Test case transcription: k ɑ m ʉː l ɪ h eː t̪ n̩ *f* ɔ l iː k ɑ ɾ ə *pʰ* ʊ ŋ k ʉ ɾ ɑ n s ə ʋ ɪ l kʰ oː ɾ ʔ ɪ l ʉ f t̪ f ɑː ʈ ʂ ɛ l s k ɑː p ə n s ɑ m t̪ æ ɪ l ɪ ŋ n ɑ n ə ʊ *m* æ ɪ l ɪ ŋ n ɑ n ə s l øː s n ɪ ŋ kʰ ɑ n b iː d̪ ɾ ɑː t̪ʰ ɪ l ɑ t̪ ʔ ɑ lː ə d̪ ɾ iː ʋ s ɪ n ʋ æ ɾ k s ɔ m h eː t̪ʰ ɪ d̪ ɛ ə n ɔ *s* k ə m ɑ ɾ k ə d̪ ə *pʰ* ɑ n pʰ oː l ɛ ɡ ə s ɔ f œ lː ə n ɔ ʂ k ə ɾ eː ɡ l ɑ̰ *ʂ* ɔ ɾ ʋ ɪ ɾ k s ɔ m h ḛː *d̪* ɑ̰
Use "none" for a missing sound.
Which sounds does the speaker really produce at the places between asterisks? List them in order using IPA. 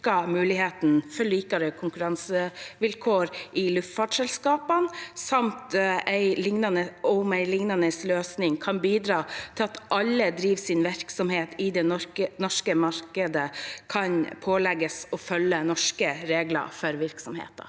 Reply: f, kʰ, m, ʂ, kʰ, f, t̪

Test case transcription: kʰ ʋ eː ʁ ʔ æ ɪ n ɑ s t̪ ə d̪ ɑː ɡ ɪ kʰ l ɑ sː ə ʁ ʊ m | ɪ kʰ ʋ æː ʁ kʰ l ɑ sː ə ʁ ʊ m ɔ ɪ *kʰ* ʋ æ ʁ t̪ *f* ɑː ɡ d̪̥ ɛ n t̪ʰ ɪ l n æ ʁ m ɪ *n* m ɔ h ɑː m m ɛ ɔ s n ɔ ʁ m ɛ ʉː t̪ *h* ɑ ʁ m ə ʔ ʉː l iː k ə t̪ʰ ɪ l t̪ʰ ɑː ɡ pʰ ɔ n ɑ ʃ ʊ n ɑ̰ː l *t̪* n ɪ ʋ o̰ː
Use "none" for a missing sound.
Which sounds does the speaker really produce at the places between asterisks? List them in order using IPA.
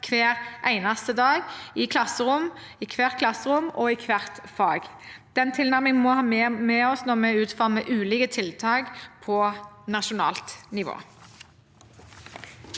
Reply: kʰ, f, ŋ, f, t̪

